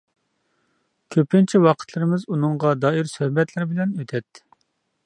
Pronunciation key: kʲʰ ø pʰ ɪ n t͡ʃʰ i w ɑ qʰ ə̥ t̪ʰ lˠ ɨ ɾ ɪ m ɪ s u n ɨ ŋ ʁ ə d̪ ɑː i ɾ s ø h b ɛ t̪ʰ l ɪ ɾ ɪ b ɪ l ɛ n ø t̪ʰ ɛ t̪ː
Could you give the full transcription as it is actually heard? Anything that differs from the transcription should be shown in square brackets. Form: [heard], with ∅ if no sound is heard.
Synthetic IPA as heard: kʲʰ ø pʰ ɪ n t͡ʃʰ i w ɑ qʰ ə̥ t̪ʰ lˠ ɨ ɾ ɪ m ɪ [z] u n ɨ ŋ ʁ [ɑ] d̪ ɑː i ɾ s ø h b ɛ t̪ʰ l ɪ ɾ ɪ b ɪ l ɛ n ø t̪ʰ ɛ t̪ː